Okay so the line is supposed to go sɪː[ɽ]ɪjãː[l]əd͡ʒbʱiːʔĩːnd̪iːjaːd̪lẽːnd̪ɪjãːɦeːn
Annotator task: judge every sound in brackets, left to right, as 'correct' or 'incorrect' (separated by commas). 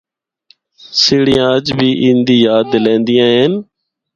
correct, incorrect